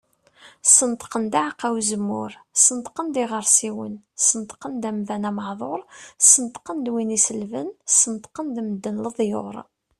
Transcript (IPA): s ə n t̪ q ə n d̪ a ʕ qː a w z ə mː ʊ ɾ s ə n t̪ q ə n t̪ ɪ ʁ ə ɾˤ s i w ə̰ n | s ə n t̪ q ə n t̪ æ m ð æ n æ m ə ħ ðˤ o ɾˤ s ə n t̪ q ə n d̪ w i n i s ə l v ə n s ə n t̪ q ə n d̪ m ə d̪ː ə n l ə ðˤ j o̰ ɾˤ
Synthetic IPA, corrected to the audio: s ə n t̪ q ə n d̪ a ʕ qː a w z ə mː ʊ ɾ s ə n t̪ q ə n d̪ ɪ ʁ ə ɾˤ s i w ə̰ n | s ə n t̪ q ə n d̪ æ m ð æ n æ m ə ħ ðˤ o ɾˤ s ə n t̪ q ə n d̪ w i n i s ə l v ə n s ə n t̪ q ə n d̪ m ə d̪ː ə n l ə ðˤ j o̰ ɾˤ